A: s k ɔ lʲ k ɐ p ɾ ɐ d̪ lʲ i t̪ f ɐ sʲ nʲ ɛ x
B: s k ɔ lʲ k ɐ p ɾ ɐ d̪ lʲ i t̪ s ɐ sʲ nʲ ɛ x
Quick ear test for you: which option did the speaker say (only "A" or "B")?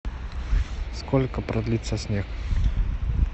B